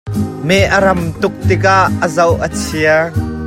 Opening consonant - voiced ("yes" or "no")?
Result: yes